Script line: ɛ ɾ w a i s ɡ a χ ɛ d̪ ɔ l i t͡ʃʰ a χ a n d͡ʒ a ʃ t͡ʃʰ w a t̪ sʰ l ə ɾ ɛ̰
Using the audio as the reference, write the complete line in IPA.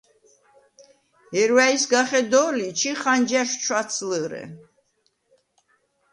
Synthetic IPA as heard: ɛ ɾ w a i s ɡ a χ ɛ d̪ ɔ l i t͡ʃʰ i χ a n d͡ʒ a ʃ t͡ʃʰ w a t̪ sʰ l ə ɾ ɛ̰